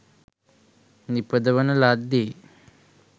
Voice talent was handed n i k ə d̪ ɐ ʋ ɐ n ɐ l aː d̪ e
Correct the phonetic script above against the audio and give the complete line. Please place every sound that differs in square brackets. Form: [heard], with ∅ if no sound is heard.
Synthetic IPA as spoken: n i [p] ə d̪ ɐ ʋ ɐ n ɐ l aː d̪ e